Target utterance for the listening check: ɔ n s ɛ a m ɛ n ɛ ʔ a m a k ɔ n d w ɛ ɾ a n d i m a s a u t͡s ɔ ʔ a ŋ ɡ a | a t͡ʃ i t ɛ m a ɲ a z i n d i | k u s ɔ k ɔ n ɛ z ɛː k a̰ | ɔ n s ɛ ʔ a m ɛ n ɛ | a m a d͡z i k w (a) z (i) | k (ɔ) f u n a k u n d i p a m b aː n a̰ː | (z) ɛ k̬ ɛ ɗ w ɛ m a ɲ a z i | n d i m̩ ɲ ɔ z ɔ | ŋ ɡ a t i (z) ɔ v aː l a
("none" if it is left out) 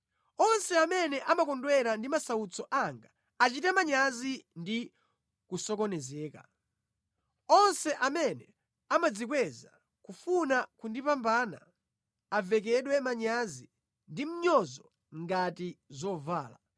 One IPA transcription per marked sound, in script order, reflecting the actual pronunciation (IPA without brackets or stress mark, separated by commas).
ɛ, a, u, v, z